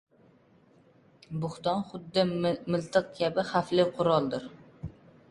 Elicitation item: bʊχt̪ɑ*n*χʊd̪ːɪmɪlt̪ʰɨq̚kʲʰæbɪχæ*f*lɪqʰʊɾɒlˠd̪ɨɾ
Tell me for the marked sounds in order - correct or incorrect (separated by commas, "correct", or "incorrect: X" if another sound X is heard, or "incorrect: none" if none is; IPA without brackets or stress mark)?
correct, correct